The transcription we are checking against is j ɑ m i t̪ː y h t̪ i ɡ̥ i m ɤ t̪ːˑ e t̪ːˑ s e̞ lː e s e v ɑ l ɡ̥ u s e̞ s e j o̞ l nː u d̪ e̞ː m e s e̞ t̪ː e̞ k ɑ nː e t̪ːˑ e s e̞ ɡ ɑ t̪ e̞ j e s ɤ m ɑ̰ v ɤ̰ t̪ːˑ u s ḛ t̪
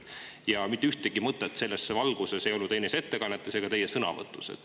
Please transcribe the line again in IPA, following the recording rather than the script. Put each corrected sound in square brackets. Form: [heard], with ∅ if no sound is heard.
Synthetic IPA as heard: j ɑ m i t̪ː y h t̪ [e] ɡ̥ i m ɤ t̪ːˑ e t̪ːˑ s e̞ lː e s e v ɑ l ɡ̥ u s e̞ s e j o̞ l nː u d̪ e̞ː [n] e s e̞ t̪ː e̞ k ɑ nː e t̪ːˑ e s e̞ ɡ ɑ t̪ e̞ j e s ɤ [n] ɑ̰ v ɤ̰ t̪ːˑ u s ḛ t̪